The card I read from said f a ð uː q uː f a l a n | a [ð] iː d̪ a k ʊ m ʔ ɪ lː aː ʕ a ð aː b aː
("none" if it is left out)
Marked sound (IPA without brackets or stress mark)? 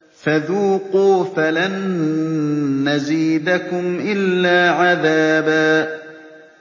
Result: z